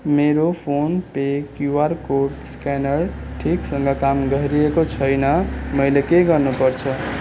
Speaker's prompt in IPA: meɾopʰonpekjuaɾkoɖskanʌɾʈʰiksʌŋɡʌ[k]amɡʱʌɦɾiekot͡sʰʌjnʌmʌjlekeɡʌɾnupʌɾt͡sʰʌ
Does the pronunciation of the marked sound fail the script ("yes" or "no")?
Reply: no